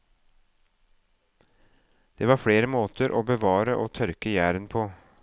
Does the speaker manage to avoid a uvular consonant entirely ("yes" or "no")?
yes